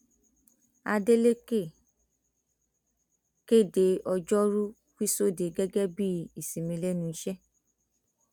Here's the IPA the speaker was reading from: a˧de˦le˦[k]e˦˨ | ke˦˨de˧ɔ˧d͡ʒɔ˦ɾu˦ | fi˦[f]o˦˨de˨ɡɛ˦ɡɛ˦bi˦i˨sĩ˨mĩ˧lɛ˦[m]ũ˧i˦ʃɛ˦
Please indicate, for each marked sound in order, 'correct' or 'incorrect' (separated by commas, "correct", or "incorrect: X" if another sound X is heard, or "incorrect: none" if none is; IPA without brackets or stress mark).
correct, incorrect: s, incorrect: n